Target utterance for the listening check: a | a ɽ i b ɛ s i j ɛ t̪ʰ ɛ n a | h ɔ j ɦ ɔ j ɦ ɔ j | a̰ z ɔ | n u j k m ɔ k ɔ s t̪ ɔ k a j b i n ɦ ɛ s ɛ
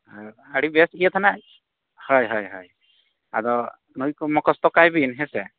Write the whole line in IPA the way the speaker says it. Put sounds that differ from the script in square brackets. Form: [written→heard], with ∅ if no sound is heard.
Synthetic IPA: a | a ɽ i b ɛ s i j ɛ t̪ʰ [ɛ→a] n a | h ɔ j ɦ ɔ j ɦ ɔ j | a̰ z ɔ | n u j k m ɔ k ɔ s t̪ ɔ k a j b i n ɦ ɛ s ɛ